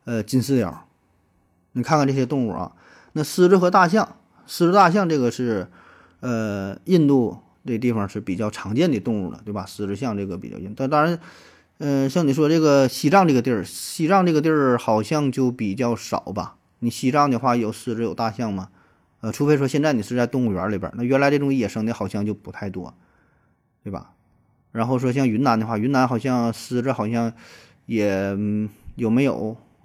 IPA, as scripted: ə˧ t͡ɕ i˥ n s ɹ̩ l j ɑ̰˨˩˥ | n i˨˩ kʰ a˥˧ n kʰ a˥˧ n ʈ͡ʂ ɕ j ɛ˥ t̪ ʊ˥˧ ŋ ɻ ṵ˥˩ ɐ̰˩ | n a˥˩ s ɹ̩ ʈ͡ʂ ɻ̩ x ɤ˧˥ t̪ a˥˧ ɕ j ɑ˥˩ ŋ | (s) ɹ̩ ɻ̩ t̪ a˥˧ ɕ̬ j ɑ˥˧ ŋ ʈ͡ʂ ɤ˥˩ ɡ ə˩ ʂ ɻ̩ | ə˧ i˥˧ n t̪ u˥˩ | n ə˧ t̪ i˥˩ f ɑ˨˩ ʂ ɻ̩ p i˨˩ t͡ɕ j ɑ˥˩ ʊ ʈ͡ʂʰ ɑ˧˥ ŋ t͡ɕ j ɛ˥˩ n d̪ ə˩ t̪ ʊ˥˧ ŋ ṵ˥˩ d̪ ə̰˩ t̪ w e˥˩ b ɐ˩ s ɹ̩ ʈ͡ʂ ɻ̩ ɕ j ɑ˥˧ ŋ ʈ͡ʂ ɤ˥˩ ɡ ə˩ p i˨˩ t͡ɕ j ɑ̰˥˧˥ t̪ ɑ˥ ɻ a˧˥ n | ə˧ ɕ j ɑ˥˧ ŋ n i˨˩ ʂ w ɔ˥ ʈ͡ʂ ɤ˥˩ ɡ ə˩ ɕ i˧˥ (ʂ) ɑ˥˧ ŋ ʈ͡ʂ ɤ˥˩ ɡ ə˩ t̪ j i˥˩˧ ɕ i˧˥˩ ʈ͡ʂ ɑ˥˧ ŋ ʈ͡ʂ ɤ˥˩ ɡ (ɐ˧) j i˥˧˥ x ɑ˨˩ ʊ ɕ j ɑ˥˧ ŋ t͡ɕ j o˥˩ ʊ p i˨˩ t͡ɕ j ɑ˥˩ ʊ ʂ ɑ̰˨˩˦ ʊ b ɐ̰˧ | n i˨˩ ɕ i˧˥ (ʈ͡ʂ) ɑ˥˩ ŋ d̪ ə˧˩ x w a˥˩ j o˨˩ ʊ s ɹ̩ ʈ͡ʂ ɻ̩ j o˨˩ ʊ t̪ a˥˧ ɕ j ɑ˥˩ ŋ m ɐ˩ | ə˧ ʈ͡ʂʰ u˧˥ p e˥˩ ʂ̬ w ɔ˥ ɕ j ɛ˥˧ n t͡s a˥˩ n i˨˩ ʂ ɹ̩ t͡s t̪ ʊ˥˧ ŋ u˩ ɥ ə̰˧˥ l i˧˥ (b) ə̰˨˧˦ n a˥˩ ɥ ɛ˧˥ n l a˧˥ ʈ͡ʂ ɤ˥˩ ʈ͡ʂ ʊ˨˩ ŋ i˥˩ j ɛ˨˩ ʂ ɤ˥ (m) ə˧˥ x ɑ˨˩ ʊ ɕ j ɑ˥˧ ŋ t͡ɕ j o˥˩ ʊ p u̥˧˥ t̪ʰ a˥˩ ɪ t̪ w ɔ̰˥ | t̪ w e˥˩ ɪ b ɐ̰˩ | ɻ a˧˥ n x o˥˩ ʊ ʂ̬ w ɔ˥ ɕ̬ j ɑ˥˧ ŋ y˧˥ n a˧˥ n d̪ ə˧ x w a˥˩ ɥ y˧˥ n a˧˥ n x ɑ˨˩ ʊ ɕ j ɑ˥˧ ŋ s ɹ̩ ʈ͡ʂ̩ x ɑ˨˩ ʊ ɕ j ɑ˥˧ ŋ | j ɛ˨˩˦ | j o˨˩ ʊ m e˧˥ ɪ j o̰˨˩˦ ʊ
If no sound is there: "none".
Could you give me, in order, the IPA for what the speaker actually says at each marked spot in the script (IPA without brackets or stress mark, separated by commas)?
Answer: s, ʈ͡ʂ, ə˧, ʈ͡ʂ, b, ŋ